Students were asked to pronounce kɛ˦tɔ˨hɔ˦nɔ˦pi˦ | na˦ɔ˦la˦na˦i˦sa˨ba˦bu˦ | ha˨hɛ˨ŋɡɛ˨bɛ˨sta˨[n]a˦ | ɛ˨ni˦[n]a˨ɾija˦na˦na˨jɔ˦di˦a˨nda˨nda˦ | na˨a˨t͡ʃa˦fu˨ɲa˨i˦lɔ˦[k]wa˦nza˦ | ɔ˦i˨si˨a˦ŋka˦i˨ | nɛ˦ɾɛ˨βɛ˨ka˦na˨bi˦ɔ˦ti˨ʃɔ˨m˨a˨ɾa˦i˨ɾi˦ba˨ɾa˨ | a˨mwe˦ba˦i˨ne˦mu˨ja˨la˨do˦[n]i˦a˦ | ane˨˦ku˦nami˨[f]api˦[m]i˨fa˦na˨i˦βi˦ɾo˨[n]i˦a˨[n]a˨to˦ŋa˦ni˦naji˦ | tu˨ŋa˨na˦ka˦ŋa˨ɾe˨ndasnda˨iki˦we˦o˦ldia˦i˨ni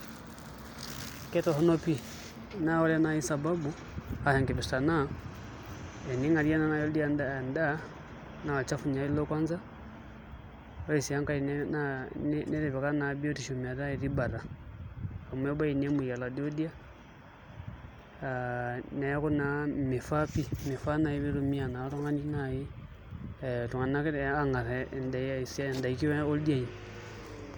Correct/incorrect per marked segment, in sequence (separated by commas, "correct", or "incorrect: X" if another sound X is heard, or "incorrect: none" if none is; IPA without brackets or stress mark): correct, incorrect: ŋ, correct, incorrect: d, correct, correct, incorrect: m, correct